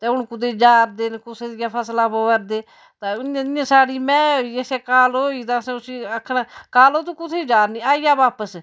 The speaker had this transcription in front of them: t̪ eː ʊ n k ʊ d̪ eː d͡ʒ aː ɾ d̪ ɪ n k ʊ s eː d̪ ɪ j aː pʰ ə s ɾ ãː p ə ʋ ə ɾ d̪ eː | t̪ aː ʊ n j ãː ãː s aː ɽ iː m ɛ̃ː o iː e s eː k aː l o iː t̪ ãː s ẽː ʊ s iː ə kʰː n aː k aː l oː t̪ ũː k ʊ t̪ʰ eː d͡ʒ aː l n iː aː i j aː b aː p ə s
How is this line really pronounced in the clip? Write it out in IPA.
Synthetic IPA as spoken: t̪ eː ʊ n k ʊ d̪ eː d͡ʒ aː ɾ d̪ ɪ n k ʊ s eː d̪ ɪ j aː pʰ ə s l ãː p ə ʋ ə ɾ d̪ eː | t̪ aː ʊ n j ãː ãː s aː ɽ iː m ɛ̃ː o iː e s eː k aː l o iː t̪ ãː s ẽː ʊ s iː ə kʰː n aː k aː l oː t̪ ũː k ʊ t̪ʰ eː d͡ʒ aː ɾ n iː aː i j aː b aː p ə s